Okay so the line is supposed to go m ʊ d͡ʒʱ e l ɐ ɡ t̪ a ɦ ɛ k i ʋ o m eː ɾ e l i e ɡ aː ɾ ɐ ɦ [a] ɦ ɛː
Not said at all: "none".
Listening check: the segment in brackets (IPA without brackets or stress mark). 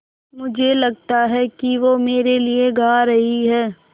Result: i